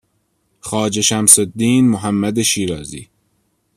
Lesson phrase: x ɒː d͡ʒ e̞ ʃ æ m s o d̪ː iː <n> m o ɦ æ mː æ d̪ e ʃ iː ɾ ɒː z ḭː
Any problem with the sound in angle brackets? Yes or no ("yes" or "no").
no